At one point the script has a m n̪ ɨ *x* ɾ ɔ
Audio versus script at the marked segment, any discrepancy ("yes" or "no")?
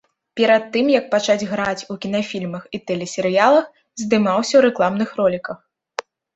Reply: no